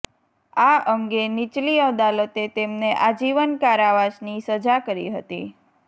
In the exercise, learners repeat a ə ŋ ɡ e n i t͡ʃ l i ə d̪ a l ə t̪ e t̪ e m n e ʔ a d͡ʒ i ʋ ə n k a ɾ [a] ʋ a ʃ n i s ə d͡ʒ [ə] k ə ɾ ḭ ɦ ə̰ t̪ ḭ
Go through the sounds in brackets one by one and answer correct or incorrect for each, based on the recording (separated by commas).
correct, incorrect